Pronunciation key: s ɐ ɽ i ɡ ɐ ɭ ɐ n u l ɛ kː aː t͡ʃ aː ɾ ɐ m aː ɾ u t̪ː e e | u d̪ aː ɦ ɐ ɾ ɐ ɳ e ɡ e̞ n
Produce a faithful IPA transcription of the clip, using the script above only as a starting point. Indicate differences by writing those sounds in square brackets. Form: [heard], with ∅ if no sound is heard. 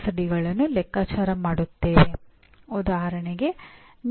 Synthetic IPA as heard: s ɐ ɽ i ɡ ɐ ɭ ɐ [nː] u l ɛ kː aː t͡ʃ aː ɾ ɐ m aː [ɽ] u t̪ː e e | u d̪ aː ɦ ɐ ɾ ɐ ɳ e ɡ e̞ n